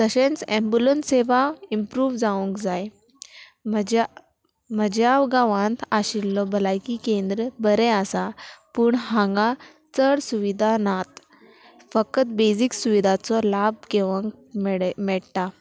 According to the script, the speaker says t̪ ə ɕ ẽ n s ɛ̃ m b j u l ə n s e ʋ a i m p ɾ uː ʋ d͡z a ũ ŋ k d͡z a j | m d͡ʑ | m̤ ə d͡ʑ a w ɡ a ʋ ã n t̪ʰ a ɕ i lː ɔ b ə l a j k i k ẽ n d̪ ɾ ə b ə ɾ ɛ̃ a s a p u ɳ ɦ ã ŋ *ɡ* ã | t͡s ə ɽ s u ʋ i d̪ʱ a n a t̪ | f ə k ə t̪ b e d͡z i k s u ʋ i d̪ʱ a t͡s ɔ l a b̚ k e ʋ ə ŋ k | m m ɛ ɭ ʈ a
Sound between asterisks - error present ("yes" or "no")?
no